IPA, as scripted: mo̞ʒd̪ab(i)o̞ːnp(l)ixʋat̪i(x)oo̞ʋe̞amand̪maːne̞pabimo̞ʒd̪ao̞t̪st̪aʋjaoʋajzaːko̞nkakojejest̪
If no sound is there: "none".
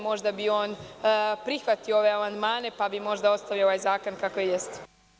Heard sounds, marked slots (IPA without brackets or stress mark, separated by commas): i, ɾ, none